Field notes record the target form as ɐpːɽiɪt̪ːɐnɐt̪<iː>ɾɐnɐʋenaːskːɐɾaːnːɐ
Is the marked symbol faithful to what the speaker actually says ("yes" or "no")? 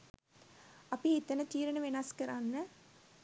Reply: yes